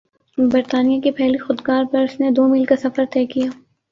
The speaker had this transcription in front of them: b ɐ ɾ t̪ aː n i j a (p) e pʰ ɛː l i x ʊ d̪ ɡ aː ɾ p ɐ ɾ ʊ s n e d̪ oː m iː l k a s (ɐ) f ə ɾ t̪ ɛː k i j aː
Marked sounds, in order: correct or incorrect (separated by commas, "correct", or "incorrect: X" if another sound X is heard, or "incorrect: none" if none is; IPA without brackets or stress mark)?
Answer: incorrect: k, correct